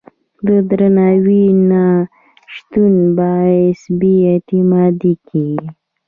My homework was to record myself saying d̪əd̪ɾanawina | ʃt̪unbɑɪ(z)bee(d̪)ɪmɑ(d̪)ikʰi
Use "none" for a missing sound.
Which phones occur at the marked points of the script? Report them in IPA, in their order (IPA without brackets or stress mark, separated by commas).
s, t̪, d̪